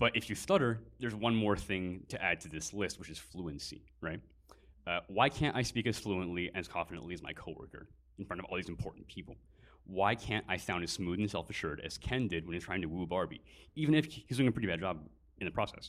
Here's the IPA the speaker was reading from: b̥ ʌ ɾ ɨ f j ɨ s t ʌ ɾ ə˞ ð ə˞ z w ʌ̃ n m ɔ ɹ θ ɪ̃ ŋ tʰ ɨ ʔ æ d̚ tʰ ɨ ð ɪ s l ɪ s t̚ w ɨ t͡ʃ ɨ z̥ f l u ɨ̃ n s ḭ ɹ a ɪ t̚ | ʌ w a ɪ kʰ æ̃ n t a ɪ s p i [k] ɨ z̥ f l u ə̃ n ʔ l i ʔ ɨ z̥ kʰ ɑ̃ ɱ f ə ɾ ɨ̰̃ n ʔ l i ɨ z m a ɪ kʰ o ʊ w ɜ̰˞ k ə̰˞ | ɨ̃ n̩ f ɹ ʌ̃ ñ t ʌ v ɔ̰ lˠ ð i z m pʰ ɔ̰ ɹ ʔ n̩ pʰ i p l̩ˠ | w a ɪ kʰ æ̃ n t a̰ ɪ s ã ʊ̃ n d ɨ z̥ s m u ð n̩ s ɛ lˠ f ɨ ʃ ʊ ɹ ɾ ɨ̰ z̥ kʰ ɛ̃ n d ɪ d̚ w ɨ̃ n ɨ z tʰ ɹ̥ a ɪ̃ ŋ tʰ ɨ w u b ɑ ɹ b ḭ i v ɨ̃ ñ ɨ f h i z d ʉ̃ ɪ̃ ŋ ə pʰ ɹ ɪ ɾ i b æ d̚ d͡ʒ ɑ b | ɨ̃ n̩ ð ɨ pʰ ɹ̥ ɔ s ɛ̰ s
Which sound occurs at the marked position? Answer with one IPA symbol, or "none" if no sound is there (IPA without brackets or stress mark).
k